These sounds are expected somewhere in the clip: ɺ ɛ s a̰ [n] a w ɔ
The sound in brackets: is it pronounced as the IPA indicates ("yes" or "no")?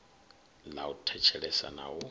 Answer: yes